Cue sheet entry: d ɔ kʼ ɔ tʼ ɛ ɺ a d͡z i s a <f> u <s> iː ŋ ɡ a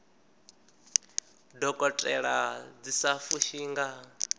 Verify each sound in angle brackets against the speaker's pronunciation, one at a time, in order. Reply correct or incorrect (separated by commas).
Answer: correct, incorrect